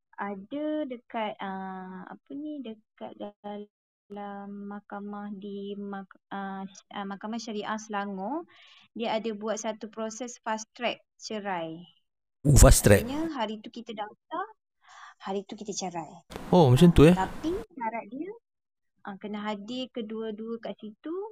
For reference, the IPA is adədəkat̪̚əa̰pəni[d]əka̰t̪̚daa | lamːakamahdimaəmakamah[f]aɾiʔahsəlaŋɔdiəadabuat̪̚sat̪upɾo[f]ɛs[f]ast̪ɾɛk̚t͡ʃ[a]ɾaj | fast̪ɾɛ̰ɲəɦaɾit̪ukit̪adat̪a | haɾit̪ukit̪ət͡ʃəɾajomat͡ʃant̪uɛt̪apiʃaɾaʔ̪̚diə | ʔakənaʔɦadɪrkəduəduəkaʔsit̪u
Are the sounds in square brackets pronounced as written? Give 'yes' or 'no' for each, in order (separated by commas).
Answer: yes, no, no, yes, no